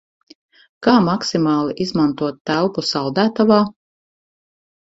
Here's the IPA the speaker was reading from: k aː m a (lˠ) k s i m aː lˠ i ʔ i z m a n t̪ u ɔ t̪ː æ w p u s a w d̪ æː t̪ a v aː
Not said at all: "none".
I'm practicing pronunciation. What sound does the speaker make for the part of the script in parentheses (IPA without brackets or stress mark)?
none